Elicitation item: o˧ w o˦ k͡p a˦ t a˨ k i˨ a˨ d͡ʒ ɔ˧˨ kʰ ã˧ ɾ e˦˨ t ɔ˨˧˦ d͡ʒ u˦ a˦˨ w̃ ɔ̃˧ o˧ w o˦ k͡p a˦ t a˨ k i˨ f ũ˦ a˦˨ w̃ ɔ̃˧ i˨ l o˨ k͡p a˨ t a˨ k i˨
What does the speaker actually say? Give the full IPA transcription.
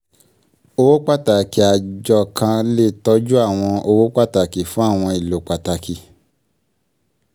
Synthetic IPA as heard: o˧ w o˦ k͡p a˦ t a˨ k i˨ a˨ d͡ʒ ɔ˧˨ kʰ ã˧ l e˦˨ t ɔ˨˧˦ d͡ʒ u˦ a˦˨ w̃ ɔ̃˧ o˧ w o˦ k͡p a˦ t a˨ k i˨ f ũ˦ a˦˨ w̃ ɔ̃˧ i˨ l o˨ k͡p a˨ t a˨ k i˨